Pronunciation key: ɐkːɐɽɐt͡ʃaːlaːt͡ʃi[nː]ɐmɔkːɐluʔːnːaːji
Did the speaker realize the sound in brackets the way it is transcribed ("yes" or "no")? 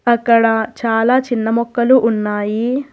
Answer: yes